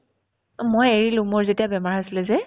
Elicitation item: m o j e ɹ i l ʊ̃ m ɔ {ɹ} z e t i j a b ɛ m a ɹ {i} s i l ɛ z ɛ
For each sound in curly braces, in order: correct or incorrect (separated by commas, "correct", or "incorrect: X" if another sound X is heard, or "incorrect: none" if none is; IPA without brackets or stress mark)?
correct, incorrect: a